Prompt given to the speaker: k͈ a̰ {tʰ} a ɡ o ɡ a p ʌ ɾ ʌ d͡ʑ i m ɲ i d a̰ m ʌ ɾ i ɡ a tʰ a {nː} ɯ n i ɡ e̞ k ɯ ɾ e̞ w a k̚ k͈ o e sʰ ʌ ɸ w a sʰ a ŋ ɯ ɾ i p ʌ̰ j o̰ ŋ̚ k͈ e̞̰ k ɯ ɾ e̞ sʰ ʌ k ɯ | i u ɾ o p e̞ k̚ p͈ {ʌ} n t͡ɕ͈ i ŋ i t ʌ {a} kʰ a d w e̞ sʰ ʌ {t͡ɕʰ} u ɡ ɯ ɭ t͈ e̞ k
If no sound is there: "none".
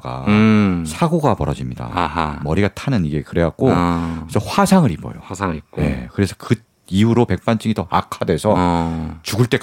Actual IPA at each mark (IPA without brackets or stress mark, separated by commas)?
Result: sʰ, n, a, a, t͡ɕ